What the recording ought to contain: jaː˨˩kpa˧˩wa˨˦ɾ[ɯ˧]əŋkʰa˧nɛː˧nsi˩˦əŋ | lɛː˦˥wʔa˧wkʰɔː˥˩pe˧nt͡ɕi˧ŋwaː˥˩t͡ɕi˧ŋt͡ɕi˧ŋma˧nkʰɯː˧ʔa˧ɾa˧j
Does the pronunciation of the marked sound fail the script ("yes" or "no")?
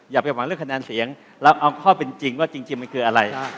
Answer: yes